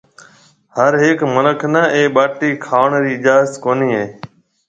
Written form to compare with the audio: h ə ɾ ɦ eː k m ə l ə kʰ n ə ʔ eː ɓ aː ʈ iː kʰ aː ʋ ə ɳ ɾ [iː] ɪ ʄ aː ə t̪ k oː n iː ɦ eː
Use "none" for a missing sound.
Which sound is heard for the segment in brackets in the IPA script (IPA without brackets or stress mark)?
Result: iː